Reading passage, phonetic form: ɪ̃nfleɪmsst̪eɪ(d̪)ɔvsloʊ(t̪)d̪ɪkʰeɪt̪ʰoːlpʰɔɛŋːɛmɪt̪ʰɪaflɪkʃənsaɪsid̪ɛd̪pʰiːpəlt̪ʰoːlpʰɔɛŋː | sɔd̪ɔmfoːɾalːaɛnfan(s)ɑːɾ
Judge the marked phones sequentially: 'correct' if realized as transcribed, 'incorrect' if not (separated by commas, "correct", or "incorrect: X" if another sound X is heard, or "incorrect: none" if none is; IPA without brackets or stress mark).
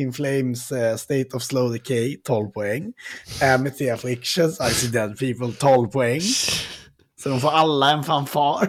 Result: incorrect: t̪, incorrect: none, incorrect: f